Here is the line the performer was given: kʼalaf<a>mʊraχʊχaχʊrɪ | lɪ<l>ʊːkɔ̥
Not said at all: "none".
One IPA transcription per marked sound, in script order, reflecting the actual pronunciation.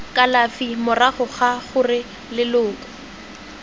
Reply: i, l

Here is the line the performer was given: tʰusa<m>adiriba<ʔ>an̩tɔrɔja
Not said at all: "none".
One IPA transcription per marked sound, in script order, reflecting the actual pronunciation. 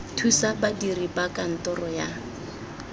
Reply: b, k

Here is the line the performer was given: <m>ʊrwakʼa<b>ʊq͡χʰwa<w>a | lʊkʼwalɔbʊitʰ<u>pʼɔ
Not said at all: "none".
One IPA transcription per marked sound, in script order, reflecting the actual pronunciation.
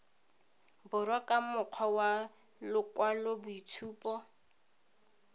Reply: b, m, w, uː

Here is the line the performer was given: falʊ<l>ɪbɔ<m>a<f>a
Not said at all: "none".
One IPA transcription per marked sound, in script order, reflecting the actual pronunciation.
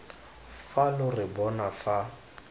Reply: r, n, f

